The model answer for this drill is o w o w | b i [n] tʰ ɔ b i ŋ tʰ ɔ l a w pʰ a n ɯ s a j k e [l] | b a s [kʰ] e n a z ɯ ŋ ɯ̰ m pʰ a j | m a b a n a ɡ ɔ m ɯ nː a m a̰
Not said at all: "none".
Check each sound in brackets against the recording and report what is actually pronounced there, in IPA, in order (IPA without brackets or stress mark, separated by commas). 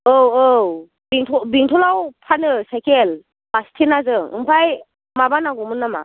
ŋ, l, tʰ